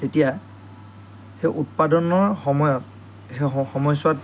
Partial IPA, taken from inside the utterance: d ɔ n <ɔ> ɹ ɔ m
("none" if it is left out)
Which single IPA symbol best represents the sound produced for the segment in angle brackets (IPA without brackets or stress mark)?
ɔ